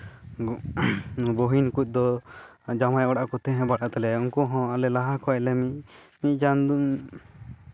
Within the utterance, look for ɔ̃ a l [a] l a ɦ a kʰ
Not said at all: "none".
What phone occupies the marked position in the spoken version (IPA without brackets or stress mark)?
ɛ